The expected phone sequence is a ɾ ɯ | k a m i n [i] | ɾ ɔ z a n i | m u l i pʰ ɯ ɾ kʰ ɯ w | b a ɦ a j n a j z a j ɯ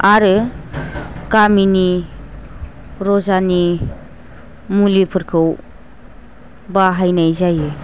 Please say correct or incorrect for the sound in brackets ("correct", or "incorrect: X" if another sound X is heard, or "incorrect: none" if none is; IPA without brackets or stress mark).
correct